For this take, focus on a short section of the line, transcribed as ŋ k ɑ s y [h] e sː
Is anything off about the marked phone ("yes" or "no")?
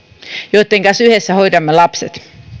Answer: no